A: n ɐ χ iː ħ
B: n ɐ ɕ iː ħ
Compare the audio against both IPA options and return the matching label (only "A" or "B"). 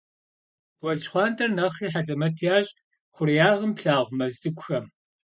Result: A